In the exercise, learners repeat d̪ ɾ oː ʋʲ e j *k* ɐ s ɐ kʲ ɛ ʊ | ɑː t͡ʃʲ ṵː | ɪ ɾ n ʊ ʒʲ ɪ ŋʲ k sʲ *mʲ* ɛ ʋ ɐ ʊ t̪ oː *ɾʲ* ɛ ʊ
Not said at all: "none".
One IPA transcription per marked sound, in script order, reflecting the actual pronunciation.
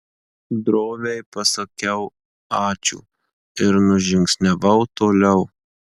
p, nʲ, lʲ

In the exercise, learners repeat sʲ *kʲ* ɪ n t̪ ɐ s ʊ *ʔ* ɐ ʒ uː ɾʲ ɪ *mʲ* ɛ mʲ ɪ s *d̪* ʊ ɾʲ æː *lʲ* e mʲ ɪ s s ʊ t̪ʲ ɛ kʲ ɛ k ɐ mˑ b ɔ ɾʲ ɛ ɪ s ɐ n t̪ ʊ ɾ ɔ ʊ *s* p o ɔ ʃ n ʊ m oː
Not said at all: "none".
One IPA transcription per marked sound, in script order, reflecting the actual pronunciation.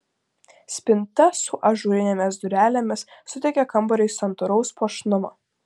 pʲ, ʔ, nʲ, d̪, lʲ, s

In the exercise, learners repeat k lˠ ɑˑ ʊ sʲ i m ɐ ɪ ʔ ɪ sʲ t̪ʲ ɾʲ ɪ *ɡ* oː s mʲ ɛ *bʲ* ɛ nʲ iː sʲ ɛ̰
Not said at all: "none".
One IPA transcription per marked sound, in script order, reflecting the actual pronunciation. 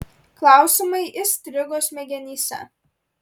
ɡ, ɡʲ

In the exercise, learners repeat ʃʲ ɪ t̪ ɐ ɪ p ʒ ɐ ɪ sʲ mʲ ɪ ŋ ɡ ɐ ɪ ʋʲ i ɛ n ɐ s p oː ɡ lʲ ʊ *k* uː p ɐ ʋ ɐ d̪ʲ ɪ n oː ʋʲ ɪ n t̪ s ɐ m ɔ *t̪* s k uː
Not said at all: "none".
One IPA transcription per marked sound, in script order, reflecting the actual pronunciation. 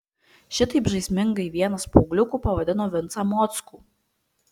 k, t̪

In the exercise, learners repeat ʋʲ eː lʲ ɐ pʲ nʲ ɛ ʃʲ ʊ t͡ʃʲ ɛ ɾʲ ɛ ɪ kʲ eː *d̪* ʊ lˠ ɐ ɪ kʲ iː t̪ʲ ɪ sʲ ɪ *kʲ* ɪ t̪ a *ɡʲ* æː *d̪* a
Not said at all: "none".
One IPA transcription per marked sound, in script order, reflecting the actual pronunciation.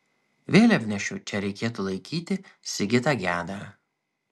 t̪, ɡʲ, ɡʲ, d̪

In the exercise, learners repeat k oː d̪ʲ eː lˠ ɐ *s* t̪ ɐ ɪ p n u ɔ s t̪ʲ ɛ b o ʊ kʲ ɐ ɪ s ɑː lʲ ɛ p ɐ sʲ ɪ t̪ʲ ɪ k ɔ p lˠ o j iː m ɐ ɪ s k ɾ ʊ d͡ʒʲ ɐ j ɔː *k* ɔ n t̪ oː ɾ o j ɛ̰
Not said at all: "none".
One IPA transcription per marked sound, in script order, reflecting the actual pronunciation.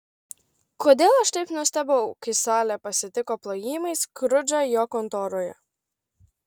ʃ, k

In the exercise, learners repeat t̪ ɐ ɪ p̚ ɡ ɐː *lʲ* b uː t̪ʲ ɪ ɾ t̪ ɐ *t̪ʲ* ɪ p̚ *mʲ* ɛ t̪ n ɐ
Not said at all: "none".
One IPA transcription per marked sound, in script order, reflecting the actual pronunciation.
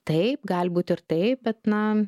lʲ, none, bʲ

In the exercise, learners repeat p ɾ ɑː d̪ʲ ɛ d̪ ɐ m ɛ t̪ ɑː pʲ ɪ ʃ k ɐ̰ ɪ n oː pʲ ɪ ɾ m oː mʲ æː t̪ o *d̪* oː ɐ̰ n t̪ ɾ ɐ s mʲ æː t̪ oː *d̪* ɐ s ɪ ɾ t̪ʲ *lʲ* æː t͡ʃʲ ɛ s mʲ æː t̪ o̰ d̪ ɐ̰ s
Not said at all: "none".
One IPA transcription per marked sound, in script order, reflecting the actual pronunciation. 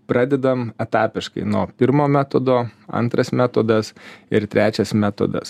d̪, d̪, ɾʲ

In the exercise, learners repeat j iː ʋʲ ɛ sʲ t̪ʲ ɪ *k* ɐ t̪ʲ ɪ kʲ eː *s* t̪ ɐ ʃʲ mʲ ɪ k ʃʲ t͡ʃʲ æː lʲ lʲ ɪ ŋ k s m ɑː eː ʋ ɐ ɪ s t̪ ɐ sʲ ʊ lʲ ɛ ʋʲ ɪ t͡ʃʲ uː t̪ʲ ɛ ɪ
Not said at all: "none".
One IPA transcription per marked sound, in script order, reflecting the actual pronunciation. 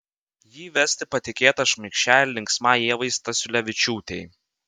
p, none

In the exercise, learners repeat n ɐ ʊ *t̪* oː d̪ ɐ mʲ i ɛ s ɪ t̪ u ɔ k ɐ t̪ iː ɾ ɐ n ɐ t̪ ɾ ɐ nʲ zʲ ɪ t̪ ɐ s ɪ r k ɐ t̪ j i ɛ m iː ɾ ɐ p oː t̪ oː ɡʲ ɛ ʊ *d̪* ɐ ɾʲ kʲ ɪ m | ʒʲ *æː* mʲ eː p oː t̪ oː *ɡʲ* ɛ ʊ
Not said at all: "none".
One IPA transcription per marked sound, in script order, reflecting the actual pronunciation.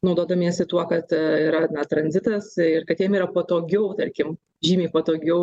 d̪, t̪, iː, ɡʲ

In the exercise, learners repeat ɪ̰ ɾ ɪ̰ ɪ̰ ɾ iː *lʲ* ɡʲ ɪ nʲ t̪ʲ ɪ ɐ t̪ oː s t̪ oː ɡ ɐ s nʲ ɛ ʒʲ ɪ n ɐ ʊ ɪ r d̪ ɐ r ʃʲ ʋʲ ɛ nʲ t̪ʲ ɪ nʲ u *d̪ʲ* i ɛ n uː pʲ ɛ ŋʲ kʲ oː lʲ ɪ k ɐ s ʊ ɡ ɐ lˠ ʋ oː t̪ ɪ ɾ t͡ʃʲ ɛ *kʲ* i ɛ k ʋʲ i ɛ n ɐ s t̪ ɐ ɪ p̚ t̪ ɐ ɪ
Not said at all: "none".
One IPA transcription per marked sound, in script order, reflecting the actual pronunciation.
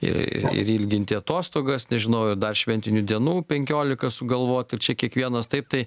lʲ, d̪ʲ, kʲ

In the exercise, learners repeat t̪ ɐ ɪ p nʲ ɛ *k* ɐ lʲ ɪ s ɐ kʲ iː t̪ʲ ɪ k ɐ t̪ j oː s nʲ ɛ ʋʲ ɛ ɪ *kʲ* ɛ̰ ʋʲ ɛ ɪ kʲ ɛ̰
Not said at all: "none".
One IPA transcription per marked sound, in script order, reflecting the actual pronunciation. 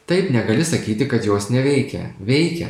ɡ, kʲ

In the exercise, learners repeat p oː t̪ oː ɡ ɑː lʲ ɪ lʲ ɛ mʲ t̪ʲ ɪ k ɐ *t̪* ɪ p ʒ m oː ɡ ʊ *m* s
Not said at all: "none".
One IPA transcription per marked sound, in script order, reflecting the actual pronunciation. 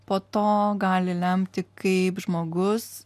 none, none

